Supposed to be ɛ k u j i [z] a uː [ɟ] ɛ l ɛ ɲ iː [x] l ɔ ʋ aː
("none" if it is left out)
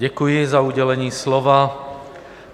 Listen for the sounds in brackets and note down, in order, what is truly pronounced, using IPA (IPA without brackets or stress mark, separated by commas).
z, ɟ, s